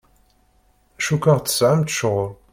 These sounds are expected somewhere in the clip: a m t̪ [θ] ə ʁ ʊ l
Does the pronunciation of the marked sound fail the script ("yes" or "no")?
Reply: yes